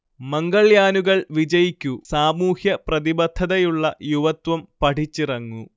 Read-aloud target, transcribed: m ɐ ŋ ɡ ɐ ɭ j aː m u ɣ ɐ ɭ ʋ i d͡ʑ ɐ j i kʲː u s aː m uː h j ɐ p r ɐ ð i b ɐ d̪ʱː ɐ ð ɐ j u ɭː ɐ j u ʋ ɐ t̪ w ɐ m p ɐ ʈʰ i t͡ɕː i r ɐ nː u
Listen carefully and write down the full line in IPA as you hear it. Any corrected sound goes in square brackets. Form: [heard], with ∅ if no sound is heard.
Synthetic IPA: m ɐ ŋ ɡ ɐ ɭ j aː [n] u ɣ ɐ ɭ ʋ i d͡ʑ ɐ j i kʲː u s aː m uː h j ɐ p r ɐ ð i b ɐ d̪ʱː ɐ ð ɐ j u ɭː ɐ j u ʋ ɐ t̪ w ɐ m p ɐ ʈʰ i t͡ɕː i r ɐ [ŋː] u